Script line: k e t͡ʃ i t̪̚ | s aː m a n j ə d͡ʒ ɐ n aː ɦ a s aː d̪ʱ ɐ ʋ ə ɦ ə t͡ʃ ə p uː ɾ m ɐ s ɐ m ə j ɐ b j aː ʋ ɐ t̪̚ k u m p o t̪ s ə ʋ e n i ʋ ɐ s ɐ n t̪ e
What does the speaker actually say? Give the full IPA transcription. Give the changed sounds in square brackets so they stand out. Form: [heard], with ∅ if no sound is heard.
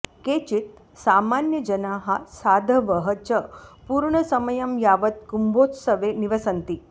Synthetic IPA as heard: k e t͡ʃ i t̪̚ | s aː m a n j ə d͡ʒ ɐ n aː ɦ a s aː d̪ʱ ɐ ʋ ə ɦ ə t͡ʃ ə p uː ɾ [ɳ] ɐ s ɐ m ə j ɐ [m] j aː ʋ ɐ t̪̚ k u m [b] o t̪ s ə ʋ e n i ʋ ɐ s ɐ n t̪ [i]

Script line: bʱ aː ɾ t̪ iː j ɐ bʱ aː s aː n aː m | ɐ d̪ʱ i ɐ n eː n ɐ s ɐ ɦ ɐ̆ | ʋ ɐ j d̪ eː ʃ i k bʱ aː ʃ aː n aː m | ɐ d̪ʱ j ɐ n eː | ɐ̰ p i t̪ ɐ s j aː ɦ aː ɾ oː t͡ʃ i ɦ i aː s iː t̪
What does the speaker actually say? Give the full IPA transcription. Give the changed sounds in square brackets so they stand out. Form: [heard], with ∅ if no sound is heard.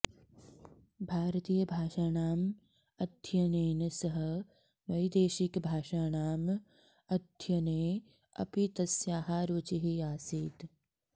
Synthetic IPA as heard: bʱ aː ɾ t̪ iː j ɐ bʱ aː [ʃ] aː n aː m | ɐ d̪ʱ [j] ɐ n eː n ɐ s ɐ ɦ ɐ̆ | ʋ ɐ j d̪ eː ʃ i k bʱ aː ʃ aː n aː m | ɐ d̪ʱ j ɐ n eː | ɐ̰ p i t̪ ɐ s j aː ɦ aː ɾ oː t͡ʃ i ɦ i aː s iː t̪

